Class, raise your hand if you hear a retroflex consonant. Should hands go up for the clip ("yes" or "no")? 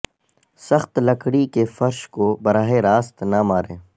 yes